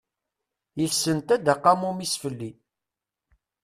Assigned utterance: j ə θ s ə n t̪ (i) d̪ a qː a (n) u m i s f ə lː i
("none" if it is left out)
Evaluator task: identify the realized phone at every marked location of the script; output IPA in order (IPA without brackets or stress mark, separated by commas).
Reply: æ, m